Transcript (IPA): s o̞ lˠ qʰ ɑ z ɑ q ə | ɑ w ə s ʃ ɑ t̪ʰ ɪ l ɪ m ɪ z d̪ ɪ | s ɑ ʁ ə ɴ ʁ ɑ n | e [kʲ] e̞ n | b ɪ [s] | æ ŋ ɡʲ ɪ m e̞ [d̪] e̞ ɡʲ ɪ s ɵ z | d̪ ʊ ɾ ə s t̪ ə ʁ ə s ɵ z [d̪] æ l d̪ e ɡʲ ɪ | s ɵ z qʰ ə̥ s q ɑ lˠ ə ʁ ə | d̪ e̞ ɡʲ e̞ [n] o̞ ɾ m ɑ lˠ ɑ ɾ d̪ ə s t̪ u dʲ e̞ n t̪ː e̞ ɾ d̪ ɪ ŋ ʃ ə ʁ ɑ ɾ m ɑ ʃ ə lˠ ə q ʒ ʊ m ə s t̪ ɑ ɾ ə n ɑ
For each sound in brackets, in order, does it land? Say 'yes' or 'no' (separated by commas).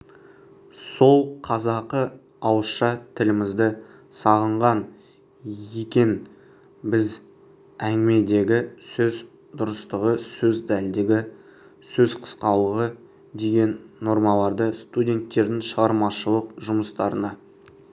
yes, no, yes, yes, no